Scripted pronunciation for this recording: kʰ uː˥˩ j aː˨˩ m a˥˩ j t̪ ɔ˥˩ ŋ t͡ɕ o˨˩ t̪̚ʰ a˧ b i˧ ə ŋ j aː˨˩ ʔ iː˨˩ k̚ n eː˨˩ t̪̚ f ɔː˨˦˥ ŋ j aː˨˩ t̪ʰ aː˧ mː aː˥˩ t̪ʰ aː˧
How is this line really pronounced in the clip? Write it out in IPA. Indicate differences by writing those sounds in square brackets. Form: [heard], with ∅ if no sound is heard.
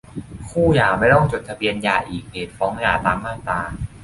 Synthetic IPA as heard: kʰ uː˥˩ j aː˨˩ m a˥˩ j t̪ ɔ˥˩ ŋ t͡ɕ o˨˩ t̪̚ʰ a˧ b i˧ ə [n] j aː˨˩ ʔ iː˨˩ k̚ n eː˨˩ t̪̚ f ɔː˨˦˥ ŋ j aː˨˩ [t̪] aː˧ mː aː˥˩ [t̪] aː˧